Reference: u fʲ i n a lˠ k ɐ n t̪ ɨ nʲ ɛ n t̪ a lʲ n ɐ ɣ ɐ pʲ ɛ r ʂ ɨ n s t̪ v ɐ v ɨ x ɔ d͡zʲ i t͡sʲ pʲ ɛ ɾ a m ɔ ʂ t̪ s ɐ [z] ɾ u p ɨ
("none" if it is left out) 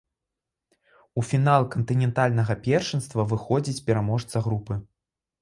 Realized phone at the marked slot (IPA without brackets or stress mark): ɣ